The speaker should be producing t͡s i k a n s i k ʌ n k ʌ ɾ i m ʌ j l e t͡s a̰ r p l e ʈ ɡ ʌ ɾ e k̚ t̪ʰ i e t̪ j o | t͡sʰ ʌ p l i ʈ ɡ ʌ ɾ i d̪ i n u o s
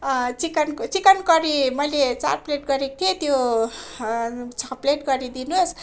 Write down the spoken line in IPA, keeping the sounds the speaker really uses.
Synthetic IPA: t͡s i k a n t͡s i k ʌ n k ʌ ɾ i m ʌ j l e t͡s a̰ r p l e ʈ ɡ ʌ ɾ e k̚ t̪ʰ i e t̪ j o | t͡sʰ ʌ p l e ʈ ɡ ʌ ɾ i d̪ i n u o s